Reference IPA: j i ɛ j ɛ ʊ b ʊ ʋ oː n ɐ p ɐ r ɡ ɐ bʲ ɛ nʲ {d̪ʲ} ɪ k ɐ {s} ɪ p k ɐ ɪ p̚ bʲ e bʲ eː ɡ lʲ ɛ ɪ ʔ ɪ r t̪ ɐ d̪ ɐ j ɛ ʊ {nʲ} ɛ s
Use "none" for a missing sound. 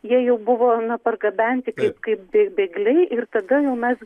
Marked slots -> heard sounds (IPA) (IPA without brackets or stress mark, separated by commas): t̪ʲ, none, mʲ